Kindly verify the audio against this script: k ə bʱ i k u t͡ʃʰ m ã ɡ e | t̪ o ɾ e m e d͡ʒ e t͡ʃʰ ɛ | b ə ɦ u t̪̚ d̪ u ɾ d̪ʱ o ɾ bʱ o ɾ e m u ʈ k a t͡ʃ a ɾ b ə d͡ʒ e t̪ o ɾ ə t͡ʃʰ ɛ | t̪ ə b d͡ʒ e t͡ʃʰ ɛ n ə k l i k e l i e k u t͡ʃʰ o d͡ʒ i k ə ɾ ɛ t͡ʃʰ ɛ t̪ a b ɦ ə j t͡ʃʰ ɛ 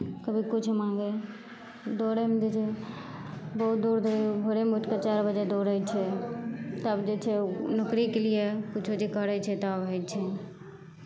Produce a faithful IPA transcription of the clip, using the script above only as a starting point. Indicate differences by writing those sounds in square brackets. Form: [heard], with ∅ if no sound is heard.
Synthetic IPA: k ə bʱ i k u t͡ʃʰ m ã ɡ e | [d̪] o ɾ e m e d͡ʒ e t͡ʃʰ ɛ | b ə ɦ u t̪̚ d̪ u ɾ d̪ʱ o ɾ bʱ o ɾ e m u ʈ k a t͡ʃ a ɾ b ə d͡ʒ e [d̪] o ɾ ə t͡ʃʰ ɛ | t̪ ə b d͡ʒ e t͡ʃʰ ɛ n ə k [ɾ] i k e l i e k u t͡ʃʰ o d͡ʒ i k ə ɾ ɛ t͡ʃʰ ɛ t̪ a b ɦ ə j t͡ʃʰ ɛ